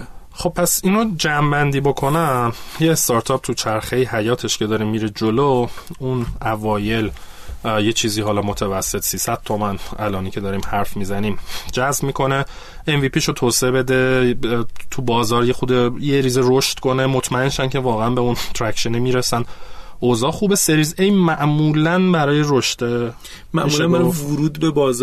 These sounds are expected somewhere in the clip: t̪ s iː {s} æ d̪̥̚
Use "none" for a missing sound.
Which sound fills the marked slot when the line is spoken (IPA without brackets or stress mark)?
s